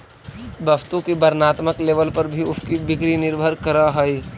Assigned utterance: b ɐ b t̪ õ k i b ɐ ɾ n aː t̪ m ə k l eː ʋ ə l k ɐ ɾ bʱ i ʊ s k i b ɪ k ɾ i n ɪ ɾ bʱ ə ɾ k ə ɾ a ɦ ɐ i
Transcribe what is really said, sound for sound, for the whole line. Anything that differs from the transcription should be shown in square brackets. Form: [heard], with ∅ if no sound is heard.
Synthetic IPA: b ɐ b t̪ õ k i b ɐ ɾ n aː t̪ m ə k l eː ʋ ə l [p] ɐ ɾ bʱ i ʊ s k i b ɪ k ɾ i n ɪ ɾ bʱ ə ɾ k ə ɾ a ɦ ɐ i